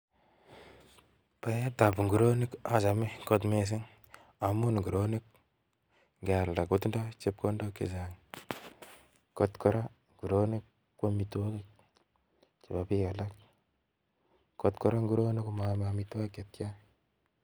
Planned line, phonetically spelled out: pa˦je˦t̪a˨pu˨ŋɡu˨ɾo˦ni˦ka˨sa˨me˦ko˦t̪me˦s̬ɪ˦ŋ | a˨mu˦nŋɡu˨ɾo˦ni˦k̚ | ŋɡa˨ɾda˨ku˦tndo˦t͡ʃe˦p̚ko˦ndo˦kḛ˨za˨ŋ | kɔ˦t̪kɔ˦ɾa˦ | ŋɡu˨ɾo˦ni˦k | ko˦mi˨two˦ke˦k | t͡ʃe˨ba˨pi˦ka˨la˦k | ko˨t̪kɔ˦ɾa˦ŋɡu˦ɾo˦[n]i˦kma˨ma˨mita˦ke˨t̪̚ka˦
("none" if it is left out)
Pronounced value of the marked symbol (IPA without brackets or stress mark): n